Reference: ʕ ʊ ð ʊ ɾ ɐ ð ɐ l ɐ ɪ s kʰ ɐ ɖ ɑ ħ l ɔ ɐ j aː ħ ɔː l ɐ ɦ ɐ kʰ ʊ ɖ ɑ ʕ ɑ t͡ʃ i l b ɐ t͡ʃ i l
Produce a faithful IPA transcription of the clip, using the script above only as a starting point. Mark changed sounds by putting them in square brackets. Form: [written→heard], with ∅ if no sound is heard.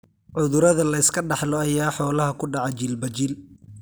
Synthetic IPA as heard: ʕ ʊ ð ʊ ɾ ɐ ð ɐ l ɐ ɪ s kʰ ɐ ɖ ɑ ħ l ɔ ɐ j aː ħ ɔː l ɐ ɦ ɐ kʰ ʊ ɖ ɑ ʕ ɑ t͡ʃ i l b ɐ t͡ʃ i l